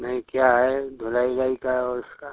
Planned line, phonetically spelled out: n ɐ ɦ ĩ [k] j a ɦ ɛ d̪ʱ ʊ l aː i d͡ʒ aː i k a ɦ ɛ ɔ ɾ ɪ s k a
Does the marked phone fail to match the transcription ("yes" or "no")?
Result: no